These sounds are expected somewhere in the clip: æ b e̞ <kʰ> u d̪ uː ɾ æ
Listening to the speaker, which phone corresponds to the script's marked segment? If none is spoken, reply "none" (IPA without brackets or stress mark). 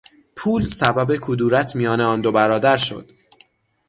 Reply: kʰ